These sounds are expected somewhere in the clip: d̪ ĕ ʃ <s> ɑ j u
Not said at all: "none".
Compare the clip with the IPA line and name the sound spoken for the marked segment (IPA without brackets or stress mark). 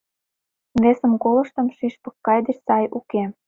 s